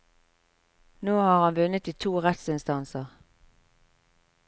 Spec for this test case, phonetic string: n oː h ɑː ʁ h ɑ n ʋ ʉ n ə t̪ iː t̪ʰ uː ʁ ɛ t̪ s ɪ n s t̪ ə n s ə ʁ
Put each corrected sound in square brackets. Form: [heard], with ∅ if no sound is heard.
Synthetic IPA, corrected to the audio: n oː h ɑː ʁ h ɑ n ʋ ʉ n ə t̪ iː t̪ʰ uː ʁ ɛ t̪ s ɪ n s t̪ [ɑ] n s ə ʁ

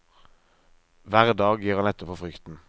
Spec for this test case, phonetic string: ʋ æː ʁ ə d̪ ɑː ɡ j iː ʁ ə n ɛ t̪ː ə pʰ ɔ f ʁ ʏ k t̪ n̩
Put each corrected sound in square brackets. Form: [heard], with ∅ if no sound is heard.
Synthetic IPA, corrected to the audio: ʋ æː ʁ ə d̪ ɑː ɡ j iː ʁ [ɑ] n ɛ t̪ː ə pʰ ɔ f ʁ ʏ k t̪ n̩

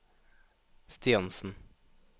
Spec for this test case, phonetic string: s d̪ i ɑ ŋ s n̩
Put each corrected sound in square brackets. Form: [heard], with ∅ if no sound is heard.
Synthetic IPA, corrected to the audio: s [t̪] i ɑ [n] s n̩

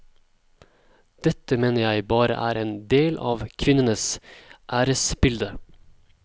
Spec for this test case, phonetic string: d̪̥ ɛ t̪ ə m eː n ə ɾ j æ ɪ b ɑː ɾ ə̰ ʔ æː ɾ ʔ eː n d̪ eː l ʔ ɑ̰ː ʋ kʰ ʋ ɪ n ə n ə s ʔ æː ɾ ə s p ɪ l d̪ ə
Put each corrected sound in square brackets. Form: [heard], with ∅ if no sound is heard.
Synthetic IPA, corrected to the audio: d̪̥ ɛ t̪ ə m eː n ə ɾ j æ ɪ b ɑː ɾ ə̰ ʔ æː ɾ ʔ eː n d̪ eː l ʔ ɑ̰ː ʋ kʰ ʋ ɪ n ə n ə s ʔ æː ɾ ə s [b] ɪ l d̪ ə

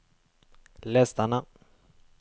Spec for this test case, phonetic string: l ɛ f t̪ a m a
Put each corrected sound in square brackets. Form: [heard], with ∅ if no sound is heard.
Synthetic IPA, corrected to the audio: l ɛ [s] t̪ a [n] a

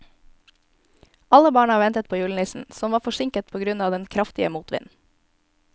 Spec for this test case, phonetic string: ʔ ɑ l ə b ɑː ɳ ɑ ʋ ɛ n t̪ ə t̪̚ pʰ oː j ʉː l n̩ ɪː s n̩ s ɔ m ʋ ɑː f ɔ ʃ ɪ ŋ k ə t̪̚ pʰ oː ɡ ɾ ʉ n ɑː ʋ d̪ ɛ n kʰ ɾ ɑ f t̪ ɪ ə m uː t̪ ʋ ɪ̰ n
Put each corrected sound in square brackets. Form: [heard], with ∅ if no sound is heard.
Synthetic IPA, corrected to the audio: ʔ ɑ l ə b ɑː ɳ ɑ ʋ ɛ n t̪ ə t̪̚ pʰ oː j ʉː l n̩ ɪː s n̩ s ɔ m ʋ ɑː f ɔ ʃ ɪ ŋ k ə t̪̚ pʰ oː ɡ ɾ ʉ n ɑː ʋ d̪ ɛ n kʰ ɾ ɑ f t̪ ɪ ə m uː t̪ ʋ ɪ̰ n

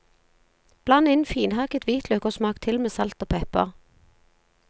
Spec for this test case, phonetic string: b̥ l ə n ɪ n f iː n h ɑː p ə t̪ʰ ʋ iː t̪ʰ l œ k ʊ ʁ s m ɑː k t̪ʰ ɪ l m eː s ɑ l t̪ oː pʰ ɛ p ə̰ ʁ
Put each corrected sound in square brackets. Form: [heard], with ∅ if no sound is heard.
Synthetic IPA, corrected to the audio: b̥ l [ɑ] n ɪ n f iː n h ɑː [k] ə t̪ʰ ʋ iː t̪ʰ l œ k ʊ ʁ s m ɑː k t̪ʰ ɪ l m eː s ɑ l t̪ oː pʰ ɛ p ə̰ ʁ

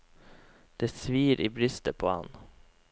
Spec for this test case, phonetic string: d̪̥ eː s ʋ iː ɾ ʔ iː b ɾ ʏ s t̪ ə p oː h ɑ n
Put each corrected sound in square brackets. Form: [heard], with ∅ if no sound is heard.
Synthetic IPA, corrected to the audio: d̪̥ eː s ʋ iː ɾ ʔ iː b ɾ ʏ s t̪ ə [pʰ] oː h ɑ n

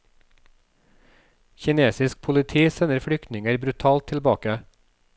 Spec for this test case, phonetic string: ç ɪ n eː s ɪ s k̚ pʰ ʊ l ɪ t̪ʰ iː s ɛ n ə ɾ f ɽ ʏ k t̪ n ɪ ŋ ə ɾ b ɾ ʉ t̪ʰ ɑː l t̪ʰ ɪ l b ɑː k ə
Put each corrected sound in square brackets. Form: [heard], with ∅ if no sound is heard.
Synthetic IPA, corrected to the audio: ç ɪ n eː s ɪ s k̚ pʰ ʊ l ɪ t̪ʰ iː s ɛ n ə ɾ f ɽ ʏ k t̪ n ɪ ŋ ə ɾ b ɾ ʉ t̪ʰ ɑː l t̪ʰ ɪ l b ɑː k ə

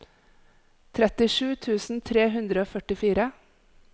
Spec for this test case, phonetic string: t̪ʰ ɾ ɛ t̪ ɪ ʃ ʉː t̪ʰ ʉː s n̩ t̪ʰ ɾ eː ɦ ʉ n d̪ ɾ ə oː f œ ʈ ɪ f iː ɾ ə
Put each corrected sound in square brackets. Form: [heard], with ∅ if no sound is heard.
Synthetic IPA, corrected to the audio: t̪ʰ ɾ ɛ t̪ ɪ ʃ ʉː t̪ʰ ʉː s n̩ t̪ʰ ɾ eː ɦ ʉ n d̪ ɾ ə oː f œ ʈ ɪ f iː ɾ ə

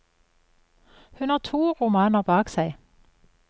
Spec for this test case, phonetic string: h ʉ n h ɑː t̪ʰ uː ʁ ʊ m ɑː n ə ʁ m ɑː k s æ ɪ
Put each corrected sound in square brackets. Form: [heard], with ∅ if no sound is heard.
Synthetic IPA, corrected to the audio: h ʉ n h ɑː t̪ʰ uː ʁ ʊ m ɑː n ə ʁ [b] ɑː k s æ ɪ

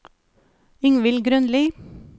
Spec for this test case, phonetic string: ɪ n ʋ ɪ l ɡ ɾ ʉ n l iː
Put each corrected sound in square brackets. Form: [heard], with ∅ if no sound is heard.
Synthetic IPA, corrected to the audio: ɪ [ŋ] ʋ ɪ l ɡ ɾ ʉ n l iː

